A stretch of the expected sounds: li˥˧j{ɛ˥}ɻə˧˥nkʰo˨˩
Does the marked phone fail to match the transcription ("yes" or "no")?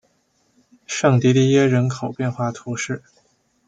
no